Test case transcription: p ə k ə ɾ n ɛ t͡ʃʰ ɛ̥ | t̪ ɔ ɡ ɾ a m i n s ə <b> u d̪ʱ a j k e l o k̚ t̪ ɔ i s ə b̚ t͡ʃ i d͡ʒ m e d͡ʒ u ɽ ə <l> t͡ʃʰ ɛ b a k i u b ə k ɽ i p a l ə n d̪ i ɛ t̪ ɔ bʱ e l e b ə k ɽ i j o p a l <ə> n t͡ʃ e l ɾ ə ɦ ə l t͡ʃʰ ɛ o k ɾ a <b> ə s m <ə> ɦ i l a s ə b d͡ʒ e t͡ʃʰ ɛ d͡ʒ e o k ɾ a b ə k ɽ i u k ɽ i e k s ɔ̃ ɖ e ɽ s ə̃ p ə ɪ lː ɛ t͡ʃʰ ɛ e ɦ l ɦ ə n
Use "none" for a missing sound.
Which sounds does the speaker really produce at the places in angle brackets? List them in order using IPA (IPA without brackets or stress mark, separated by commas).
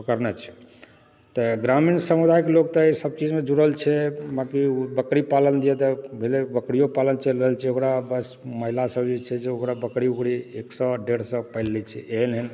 m, l, ə, b, ə